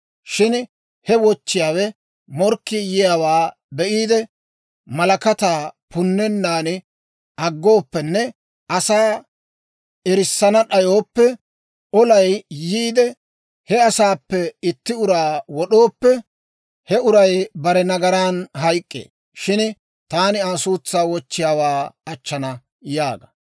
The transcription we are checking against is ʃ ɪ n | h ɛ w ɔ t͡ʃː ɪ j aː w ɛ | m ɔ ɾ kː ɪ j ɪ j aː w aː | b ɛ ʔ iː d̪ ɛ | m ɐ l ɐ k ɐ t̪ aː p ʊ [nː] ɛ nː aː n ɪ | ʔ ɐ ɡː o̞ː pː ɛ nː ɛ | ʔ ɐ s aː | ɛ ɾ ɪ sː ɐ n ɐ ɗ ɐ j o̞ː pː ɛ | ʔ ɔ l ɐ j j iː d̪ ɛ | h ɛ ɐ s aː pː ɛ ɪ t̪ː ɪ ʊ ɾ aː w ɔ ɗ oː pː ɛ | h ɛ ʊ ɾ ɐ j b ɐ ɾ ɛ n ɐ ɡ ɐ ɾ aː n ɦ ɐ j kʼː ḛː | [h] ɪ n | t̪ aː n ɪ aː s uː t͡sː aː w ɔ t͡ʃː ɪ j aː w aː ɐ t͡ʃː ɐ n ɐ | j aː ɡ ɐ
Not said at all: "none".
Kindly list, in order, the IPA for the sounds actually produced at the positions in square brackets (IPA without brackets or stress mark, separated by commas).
nː, ʃ